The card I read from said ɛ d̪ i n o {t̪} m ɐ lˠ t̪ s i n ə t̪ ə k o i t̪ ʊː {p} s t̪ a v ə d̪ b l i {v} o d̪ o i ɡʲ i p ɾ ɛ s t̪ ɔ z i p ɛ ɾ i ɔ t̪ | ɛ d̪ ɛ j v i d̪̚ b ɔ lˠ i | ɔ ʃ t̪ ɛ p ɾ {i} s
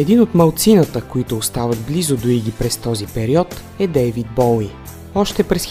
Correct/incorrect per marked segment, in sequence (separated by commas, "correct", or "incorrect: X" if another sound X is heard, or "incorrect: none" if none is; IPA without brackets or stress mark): correct, incorrect: none, incorrect: z, incorrect: ɛ